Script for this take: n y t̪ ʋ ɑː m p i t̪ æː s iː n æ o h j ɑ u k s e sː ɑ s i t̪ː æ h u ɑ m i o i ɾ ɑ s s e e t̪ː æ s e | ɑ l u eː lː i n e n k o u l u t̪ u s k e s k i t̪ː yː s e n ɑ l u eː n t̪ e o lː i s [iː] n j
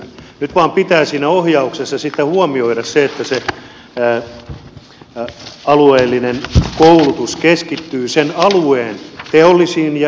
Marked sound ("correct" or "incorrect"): correct